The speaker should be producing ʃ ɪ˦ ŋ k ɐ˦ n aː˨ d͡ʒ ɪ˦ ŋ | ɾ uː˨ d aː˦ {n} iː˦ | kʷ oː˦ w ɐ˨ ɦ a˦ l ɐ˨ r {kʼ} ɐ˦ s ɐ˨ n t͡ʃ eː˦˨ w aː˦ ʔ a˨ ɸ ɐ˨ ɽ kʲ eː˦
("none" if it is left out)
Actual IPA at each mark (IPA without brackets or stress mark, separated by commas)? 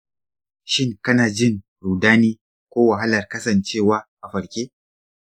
n, k